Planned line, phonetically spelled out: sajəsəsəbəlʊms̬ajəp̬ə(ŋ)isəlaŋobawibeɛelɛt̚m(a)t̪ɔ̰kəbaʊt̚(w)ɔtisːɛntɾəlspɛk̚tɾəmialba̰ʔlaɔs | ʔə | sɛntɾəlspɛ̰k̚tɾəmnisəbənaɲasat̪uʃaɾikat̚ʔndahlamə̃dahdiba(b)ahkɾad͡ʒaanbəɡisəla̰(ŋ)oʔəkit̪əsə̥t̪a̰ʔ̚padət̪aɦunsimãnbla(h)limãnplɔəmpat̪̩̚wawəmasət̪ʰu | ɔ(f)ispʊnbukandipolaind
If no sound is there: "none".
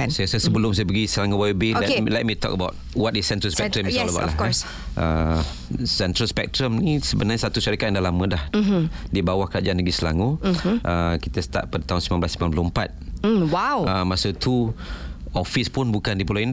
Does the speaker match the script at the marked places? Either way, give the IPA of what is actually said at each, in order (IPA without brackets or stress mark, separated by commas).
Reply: ɡ, i, w, w, ŋ, s, f